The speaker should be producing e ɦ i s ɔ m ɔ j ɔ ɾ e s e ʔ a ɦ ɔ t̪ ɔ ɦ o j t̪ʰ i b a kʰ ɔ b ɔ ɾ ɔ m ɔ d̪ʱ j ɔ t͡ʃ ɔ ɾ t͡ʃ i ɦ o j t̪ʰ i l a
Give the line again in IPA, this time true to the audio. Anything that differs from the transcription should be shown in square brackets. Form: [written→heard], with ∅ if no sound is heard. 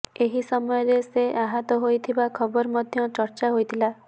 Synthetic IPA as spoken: e ɦ i s ɔ m ɔ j ɔ ɾ e s e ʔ a ɦ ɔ t̪ ɔ ɦ o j t̪ʰ i b a kʰ ɔ b ɔ ɾ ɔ m ɔ d̪ʱ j ɔ t͡ʃ ɔ ɾ t͡ʃ [i→a] ɦ o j t̪ʰ i l a